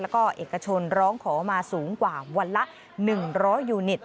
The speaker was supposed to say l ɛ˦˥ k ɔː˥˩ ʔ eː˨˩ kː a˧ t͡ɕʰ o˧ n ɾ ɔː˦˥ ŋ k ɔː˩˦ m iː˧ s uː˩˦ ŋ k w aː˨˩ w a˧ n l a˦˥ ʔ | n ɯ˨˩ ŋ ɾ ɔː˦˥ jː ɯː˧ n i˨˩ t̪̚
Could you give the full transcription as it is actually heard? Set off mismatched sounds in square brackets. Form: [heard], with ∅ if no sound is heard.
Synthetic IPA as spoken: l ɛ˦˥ k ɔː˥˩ ʔ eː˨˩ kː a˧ t͡ɕʰ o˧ n ɾ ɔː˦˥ ŋ [kʰ] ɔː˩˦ m [aː˧] s uː˩˦ ŋ k w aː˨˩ w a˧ n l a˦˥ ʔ | n ɯ˨˩ ŋ ɾ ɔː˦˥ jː [uː˧] n i˨˩ t̪̚